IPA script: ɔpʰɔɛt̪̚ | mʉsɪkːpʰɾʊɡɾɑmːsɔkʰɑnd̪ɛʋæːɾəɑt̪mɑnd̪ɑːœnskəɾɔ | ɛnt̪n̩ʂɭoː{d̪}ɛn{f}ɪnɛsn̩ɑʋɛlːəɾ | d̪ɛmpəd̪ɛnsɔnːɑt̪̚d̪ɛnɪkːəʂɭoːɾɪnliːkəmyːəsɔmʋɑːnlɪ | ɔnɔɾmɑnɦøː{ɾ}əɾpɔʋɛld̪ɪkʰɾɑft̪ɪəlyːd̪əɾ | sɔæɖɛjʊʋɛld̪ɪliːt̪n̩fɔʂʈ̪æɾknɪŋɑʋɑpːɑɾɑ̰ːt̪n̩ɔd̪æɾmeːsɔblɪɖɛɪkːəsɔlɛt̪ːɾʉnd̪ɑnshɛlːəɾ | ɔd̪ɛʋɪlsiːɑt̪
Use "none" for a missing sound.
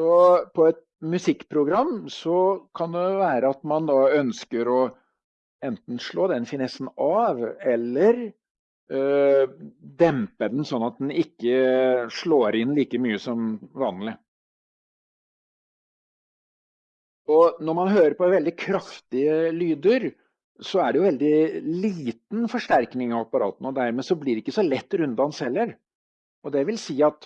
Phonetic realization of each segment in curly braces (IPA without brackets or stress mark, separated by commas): d̪, f, ɾ